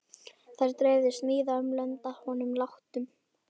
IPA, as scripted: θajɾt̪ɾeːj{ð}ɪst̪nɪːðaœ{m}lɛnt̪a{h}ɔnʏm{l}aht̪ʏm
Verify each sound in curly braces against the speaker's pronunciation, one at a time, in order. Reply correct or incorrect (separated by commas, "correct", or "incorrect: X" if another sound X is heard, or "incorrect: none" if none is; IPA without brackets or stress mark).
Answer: correct, correct, correct, correct